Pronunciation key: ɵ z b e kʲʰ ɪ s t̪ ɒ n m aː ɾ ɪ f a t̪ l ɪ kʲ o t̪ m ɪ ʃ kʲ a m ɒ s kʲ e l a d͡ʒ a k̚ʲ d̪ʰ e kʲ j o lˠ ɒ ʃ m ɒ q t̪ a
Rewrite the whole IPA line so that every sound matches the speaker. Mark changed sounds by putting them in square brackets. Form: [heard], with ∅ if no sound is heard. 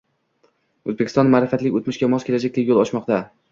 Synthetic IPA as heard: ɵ z b e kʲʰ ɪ s t̪ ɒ n m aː ɾ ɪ f a t̪ l ɪ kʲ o t̪ m ɪ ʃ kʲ a m ɒ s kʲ e l a d͡ʒ a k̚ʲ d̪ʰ e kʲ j o lˠ ɒ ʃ m ɒ q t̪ a